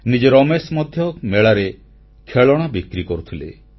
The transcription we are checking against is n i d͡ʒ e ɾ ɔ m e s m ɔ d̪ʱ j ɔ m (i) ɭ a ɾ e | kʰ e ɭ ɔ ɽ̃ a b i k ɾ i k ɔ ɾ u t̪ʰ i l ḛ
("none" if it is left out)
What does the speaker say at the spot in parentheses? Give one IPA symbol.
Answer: e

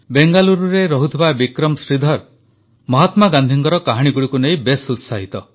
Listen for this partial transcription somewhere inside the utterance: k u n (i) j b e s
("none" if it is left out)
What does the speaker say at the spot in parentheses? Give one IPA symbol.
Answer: e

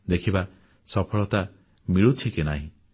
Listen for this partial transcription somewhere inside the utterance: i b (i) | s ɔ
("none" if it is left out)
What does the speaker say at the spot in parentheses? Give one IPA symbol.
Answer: a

